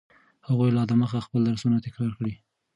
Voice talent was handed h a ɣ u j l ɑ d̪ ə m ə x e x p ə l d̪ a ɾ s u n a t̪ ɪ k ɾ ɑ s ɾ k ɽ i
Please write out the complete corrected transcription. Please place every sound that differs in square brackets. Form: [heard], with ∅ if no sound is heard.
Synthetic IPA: h a ɣ u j l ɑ d̪ ə m ə x [a] x p ə l d̪ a ɾ s u n a t̪ ɪ k ɾ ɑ [∅] ɾ k ɽ i